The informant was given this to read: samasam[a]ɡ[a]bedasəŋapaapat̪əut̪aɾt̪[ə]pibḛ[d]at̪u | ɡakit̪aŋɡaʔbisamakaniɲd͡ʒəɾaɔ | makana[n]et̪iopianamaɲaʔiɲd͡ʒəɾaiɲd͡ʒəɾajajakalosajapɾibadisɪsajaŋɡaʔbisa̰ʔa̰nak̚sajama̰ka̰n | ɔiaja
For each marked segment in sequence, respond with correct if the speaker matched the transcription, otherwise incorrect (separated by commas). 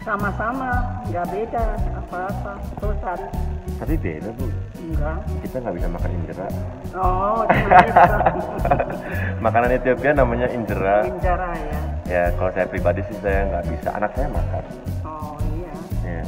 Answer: correct, correct, incorrect, correct, correct